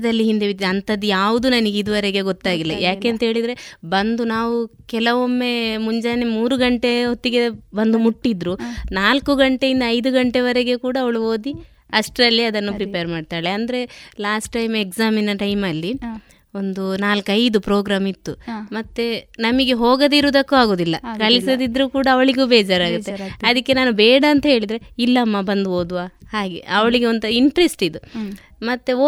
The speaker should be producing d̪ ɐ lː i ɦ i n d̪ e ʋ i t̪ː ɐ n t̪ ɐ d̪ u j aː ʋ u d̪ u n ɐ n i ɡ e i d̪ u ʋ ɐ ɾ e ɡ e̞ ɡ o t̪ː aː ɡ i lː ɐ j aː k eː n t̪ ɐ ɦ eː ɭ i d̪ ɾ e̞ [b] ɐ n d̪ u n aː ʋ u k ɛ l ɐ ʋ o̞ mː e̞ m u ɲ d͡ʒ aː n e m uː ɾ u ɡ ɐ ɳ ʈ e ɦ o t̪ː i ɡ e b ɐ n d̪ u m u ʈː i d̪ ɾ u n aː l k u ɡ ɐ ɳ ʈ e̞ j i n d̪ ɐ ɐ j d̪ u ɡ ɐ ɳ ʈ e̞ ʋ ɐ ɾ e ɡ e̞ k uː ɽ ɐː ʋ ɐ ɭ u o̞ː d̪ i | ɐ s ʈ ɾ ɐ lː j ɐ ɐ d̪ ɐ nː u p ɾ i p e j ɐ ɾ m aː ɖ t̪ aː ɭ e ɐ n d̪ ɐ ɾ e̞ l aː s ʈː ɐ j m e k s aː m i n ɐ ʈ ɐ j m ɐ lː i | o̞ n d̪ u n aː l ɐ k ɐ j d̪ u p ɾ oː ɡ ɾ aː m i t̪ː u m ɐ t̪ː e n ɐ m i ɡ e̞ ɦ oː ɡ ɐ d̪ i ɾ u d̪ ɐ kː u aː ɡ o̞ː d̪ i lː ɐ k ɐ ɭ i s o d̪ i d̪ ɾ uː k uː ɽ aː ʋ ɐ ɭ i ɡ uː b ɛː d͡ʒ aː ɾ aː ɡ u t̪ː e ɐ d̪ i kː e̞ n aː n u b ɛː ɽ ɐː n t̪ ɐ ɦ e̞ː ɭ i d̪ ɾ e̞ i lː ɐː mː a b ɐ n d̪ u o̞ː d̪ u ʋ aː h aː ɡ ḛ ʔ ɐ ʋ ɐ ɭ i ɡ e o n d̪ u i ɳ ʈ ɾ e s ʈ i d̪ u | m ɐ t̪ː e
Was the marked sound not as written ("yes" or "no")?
no